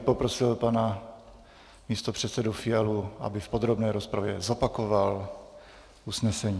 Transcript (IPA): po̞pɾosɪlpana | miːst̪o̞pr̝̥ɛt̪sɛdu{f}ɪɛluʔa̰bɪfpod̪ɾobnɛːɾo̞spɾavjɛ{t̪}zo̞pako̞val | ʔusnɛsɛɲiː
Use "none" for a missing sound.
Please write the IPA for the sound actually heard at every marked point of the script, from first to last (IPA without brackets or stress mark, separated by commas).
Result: f, none